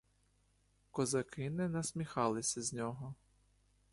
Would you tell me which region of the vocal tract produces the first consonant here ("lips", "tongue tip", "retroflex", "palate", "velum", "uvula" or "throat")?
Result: velum